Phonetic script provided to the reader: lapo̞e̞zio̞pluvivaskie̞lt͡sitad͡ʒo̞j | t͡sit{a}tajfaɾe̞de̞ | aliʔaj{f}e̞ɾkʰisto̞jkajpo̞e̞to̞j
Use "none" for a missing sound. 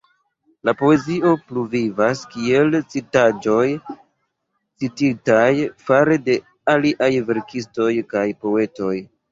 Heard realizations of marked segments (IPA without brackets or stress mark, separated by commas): i, v